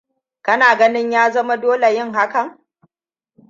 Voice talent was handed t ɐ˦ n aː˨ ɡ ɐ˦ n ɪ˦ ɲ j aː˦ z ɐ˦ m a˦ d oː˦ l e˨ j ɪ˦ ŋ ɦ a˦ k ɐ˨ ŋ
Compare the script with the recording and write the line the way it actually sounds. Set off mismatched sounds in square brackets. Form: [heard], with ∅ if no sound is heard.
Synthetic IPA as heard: [k] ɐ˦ n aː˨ ɡ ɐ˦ n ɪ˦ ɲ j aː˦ z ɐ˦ m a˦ d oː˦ l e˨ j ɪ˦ ŋ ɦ a˦ k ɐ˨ ŋ